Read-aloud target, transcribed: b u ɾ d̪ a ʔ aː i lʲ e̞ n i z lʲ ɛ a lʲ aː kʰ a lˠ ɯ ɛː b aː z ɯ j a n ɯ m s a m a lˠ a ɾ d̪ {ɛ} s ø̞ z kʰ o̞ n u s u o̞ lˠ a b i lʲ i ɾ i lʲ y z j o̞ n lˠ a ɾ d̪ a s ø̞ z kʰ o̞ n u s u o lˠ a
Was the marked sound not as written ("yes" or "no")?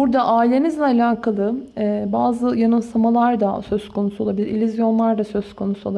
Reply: yes